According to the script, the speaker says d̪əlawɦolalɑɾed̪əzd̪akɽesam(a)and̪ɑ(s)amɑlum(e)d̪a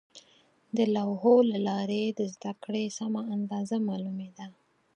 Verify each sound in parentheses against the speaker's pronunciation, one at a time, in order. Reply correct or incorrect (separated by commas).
correct, incorrect, correct